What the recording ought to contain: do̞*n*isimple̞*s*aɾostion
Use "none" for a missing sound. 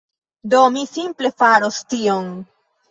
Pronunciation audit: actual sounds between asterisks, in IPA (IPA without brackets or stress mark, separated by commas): m, f